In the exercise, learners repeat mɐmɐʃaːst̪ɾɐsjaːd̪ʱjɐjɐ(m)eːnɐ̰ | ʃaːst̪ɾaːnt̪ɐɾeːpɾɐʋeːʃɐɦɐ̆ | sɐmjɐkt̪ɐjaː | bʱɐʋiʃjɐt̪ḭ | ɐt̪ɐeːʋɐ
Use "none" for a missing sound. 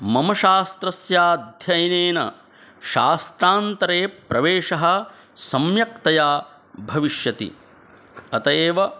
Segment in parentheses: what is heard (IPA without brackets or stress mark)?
n